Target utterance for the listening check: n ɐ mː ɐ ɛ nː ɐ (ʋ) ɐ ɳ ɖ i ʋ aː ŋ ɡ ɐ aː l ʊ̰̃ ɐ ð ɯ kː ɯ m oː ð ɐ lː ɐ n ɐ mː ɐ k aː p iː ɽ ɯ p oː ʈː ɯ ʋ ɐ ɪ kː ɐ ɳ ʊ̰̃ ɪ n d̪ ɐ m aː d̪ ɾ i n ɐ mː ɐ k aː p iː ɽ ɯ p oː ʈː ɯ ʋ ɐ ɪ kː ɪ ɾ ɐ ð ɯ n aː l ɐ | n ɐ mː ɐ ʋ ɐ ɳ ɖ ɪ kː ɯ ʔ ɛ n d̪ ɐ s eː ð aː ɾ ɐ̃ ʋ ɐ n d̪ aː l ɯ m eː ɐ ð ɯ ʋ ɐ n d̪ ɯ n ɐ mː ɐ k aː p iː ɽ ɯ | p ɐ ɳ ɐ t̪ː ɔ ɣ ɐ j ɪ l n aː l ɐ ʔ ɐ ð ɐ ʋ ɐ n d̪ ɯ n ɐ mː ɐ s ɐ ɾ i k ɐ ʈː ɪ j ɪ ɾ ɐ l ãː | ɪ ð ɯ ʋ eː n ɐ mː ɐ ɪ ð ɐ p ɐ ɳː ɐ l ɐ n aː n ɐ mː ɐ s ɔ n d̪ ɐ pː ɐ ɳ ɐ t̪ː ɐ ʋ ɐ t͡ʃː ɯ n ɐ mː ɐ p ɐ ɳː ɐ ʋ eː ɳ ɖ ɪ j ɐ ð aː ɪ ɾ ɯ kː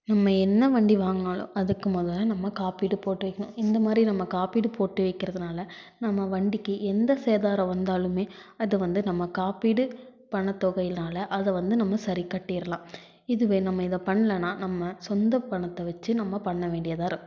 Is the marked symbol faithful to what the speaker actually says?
yes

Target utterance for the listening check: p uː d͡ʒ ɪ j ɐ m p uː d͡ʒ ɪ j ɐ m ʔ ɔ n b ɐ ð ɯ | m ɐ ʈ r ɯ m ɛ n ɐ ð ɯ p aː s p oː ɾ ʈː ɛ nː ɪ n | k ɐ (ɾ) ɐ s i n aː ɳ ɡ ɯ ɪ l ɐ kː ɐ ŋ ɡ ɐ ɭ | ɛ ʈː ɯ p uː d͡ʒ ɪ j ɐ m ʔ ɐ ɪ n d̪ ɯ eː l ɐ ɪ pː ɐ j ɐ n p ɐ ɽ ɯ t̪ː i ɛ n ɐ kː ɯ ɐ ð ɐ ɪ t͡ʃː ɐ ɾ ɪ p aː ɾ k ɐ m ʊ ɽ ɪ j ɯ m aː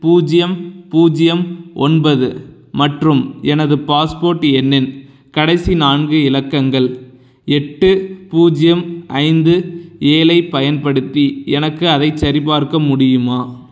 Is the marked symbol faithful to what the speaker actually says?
no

